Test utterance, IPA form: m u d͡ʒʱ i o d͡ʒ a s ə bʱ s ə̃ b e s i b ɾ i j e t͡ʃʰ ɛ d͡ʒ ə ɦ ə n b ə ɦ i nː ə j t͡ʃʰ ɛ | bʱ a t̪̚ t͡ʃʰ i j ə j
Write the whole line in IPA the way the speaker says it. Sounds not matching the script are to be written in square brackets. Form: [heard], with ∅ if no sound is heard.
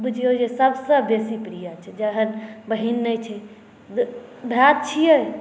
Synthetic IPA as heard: [b] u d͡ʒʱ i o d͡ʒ [e] s ə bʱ s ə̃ b e s i [p] ɾ i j [a] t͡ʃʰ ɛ d͡ʒ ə ɦ ə n b ə ɦ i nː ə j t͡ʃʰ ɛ | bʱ a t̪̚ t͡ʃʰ i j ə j

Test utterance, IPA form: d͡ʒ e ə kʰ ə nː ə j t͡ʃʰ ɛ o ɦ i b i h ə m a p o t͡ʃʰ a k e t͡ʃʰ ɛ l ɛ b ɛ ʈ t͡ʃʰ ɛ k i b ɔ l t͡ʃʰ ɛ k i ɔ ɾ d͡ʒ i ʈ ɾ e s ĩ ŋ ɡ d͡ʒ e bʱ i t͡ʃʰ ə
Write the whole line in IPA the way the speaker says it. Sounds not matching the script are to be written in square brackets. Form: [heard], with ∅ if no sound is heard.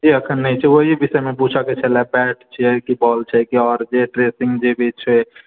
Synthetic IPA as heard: d͡ʒ [i] ə kʰ ə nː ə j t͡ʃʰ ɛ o ɦ i b i [s] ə m [e] p [u] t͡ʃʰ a k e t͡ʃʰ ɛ l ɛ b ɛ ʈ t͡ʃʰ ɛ k i b ɔ l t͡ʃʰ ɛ k i ɔ ɾ d͡ʒ [e] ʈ ɾ e s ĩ ŋ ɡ d͡ʒ e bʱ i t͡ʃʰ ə

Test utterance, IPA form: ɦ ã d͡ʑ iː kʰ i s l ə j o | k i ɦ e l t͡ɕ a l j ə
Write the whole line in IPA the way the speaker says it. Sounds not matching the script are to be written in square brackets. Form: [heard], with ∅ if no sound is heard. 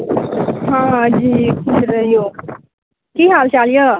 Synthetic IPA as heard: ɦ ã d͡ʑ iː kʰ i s [ɾ] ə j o | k i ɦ [a] l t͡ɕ a l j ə

